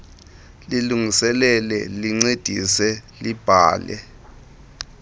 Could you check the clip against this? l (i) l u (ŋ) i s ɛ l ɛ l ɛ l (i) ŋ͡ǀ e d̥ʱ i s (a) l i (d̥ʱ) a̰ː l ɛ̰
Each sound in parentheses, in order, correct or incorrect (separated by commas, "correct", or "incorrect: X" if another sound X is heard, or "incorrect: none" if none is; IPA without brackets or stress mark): correct, correct, correct, incorrect: ɛ, incorrect: b̥ʱ